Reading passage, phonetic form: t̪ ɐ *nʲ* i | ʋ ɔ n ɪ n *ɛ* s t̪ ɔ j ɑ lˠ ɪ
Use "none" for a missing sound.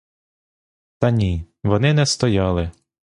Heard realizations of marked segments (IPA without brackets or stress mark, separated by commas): nʲ, ɛ